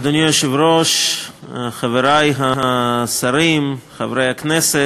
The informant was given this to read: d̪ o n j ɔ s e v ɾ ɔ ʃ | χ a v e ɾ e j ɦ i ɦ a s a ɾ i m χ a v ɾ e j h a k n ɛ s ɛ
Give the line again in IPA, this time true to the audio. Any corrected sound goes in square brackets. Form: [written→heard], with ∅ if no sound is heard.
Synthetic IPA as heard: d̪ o n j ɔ [s→ʃ] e v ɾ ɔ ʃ | χ a v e ɾ [e→a] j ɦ [i→a] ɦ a s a ɾ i m χ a v ɾ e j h a k n ɛ s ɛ